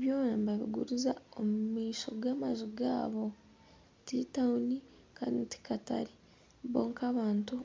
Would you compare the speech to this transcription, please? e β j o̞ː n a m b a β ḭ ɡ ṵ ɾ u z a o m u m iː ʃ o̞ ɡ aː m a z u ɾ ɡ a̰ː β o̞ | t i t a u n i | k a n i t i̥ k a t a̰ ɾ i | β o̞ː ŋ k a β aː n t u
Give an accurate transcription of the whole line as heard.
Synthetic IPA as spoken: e β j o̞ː n a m b a β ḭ ɡ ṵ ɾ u z a o m u m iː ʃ o̞ ɡ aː m a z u ɡ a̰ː β o̞ | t i t a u n i | k a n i t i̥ k a t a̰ ɾ i | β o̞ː ŋ k a β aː n t u